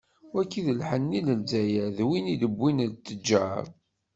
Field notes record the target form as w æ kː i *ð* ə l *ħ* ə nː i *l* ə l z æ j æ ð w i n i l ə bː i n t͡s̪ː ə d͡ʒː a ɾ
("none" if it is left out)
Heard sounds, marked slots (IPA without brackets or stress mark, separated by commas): ð, ħ, l